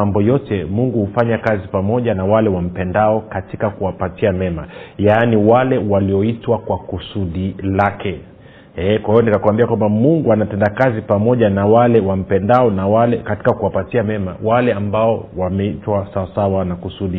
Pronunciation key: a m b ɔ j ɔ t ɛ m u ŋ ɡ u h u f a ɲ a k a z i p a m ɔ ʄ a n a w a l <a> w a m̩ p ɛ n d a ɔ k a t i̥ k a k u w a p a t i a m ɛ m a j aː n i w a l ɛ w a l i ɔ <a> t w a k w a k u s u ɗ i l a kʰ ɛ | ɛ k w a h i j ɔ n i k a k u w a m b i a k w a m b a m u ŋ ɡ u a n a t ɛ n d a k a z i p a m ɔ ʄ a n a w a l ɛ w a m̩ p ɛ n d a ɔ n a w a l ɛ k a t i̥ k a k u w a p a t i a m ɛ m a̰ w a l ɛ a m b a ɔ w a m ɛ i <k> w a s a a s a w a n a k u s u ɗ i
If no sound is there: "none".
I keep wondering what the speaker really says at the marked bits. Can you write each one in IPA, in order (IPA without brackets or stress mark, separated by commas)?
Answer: ɛ, i, t